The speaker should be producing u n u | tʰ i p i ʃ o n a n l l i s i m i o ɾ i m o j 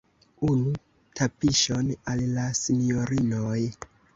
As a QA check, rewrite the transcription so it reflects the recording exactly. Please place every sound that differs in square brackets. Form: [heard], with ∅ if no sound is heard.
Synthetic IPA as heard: u n u | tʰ [a] p i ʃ o n a [∅] l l [a] s i [n] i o ɾ i [n] o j